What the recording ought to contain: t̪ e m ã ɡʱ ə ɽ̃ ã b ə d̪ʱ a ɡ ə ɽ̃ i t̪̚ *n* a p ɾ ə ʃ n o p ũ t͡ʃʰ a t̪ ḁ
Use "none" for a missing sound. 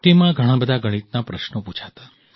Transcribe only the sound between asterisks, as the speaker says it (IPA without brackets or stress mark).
n